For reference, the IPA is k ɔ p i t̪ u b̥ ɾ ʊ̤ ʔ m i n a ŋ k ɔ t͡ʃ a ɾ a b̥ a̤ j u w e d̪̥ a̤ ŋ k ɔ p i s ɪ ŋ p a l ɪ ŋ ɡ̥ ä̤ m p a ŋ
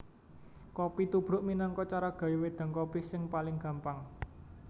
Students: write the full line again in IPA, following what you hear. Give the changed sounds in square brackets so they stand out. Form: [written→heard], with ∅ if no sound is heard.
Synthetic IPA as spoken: k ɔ p i t̪ u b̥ ɾ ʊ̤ ʔ m i n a ŋ k ɔ t͡ʃ a ɾ a [b̥→ɡ̥] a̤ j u w e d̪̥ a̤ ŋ k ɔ p i s ɪ ŋ p a l ɪ ŋ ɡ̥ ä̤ m p a ŋ